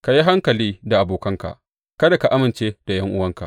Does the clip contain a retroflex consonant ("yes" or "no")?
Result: no